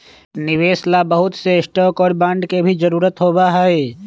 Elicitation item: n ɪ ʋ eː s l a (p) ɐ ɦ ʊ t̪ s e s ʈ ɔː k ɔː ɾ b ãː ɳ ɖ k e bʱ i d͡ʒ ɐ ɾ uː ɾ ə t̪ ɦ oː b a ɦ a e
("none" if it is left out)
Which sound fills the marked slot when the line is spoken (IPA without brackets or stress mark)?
b